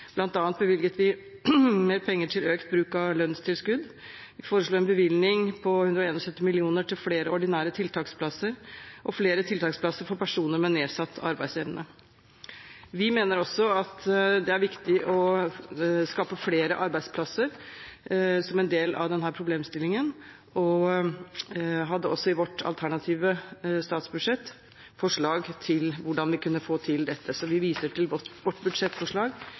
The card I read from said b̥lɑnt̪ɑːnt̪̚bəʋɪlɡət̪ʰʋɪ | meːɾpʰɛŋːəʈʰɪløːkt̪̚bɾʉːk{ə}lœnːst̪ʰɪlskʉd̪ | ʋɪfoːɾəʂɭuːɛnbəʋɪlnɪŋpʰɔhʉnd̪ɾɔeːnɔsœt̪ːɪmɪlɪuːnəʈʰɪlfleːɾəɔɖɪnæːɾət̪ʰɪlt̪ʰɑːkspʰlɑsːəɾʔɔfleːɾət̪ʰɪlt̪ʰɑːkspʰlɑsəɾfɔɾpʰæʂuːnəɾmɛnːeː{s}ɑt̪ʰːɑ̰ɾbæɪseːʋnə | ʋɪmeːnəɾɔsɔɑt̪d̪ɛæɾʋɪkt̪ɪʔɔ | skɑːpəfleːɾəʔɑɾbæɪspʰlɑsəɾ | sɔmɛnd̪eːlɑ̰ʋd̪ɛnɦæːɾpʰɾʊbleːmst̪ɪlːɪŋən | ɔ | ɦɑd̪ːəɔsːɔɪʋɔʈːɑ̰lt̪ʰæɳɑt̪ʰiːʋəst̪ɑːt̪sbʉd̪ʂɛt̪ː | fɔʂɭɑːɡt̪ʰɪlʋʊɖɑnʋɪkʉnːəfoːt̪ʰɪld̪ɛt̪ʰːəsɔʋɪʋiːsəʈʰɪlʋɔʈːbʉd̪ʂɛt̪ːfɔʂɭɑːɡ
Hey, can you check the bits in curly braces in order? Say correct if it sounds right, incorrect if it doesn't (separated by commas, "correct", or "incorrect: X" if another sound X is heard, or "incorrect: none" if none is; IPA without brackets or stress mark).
incorrect: ɑ, correct